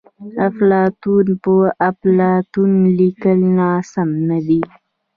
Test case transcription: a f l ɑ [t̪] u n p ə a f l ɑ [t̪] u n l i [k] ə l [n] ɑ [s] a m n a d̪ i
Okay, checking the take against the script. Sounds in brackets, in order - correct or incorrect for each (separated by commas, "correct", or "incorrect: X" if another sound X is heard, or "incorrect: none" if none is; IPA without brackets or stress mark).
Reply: correct, correct, correct, correct, correct